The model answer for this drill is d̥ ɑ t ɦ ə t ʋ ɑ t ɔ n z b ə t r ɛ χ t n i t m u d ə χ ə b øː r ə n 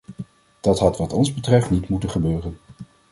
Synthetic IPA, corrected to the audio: d̥ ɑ t ɦ ɑ t ʋ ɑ t ɔ n z b ə t r ɛ f t n i t m u t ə χ ə b øː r ə n